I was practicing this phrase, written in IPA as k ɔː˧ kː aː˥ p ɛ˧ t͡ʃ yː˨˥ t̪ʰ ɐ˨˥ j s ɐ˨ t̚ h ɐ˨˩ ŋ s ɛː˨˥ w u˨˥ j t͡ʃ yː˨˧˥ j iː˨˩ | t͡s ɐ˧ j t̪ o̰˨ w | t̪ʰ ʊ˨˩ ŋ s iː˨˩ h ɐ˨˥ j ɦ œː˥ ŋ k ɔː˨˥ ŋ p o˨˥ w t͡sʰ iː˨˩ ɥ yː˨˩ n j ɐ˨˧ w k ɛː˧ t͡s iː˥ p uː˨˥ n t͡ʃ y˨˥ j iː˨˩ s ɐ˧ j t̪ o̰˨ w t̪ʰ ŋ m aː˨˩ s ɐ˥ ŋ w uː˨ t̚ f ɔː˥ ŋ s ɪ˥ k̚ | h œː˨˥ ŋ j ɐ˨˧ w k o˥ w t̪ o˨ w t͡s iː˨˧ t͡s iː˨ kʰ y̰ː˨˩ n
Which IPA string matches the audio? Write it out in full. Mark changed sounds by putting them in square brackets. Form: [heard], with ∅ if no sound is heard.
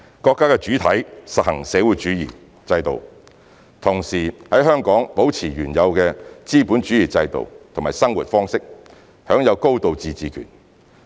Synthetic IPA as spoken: k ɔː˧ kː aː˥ [k] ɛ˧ t͡ʃ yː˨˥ t̪ʰ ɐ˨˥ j s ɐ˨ t̚ h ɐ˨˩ ŋ s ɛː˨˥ w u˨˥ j t͡ʃ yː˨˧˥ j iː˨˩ | t͡s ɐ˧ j t̪ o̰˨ w | t̪ʰ ʊ˨˩ ŋ s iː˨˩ h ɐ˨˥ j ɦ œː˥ ŋ k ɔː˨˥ ŋ p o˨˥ w t͡sʰ iː˨˩ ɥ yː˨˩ n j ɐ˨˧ w k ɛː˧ t͡s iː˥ p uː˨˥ n t͡ʃ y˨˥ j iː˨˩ [t͡s] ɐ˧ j t̪ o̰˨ w t̪ʰ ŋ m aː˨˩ s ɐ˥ ŋ w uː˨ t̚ f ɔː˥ ŋ s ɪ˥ k̚ | h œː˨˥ ŋ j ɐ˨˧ w k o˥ w t̪ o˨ w t͡s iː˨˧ t͡s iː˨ kʰ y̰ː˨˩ n